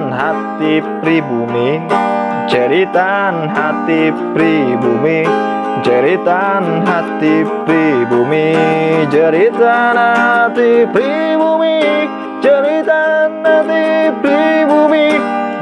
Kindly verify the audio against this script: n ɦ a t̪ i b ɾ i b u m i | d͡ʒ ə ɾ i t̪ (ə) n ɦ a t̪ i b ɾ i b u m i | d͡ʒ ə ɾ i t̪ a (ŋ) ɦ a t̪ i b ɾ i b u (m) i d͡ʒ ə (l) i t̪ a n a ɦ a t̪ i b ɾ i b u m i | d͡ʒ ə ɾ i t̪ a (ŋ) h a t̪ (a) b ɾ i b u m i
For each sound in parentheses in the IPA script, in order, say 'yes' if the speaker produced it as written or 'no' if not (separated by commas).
no, no, yes, no, no, no